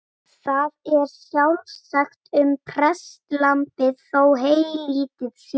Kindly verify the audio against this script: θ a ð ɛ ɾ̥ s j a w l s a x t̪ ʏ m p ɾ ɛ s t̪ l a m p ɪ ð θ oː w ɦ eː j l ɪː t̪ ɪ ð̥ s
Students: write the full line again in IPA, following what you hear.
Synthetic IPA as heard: θ a ð ɛ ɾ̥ s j a w l s a x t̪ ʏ m pʰ ɾ ɛ s t̪ l a m p ɪ ð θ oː w ɦ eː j l iː t̪ ɪ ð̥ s

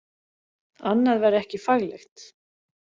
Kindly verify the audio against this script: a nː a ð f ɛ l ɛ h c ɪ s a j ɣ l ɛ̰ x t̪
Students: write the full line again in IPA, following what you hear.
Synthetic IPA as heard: a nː a ð v ɛ ɾ ɛ h c ɪ f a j ɣ l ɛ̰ x t̪

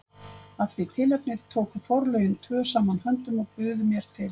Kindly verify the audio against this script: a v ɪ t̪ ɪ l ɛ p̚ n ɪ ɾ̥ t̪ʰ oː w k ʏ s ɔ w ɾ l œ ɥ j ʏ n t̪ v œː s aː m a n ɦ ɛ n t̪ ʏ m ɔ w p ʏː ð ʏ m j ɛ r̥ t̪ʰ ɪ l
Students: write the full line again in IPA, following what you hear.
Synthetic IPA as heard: a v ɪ t̪ʰ ɪ l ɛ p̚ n ɪ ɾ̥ t̪ʰ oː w k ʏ f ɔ w ɾ l œ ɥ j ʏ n t̪ʰ v œː s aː m a n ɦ œ n t̪ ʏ m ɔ ɣ p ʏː ð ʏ m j ɛ ɾ̥ t̪ʰ ɪ l

